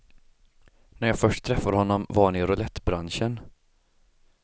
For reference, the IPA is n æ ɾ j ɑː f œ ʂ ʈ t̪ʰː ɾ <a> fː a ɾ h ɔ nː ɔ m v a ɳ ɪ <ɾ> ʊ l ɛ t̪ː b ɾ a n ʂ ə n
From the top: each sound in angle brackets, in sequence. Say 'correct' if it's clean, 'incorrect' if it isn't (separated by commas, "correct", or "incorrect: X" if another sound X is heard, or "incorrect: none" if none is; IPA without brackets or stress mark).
incorrect: ɛ, correct